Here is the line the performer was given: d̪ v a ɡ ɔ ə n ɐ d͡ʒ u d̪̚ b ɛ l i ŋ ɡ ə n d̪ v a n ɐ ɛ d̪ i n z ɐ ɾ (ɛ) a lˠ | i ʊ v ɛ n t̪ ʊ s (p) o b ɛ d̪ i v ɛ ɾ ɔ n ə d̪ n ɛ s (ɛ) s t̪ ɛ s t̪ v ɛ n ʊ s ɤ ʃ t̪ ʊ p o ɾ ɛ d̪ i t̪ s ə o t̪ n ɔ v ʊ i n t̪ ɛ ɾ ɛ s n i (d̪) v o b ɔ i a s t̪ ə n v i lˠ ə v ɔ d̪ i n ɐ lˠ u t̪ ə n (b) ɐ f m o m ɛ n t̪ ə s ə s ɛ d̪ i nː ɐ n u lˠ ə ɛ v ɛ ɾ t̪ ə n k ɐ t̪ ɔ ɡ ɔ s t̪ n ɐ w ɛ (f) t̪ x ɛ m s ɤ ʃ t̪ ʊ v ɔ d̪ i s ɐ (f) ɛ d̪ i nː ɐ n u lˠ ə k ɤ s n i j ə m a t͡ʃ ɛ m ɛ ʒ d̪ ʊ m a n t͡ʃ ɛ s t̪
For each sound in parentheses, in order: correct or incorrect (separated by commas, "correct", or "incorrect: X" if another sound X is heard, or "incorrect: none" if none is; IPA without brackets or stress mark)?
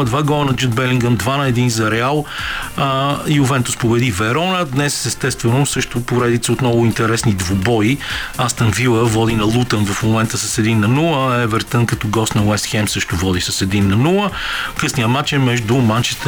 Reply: correct, correct, correct, correct, incorrect: v, incorrect: s, incorrect: s